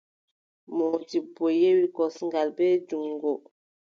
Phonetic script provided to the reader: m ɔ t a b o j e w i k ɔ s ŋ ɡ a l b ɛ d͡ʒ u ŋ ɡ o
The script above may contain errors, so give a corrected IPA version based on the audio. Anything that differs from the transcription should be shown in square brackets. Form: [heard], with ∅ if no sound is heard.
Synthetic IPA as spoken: m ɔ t [i] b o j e w i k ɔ s ŋ ɡ a l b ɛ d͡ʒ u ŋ ɡ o